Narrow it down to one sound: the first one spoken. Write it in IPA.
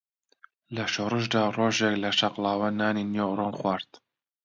l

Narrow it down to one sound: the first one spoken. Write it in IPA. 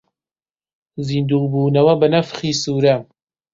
z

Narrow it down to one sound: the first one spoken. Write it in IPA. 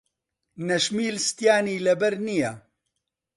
n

